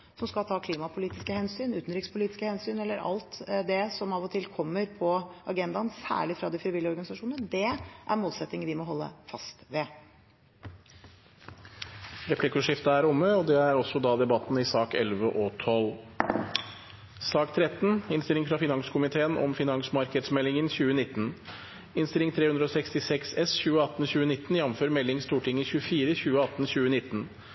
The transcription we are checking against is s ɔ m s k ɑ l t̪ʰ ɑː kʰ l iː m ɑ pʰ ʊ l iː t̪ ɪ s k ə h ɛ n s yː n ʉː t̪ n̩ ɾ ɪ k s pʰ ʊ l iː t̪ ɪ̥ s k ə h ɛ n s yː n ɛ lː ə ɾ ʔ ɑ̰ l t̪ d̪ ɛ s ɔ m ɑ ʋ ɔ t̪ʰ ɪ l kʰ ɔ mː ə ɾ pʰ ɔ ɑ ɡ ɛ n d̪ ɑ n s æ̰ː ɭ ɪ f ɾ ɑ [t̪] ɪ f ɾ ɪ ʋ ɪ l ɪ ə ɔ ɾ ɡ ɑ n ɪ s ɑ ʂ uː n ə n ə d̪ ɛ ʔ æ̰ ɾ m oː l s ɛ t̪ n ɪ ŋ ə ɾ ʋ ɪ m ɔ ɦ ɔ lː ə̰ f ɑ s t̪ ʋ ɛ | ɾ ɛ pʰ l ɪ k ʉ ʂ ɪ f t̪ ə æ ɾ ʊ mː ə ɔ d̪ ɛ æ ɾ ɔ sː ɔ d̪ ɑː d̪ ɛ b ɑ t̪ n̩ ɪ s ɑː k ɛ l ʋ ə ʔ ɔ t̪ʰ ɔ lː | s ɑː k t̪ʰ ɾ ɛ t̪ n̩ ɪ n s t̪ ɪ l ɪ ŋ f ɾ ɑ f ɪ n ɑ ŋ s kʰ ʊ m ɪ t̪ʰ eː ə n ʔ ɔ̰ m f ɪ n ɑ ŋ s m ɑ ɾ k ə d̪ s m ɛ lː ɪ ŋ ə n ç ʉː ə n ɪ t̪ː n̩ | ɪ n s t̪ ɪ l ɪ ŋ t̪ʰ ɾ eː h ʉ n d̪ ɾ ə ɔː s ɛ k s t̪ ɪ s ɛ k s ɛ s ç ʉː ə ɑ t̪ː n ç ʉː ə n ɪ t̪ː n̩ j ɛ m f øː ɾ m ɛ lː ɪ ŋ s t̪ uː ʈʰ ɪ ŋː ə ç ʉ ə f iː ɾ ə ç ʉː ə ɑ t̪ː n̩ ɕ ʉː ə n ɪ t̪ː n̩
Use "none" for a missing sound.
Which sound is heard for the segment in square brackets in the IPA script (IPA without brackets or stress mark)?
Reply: d̪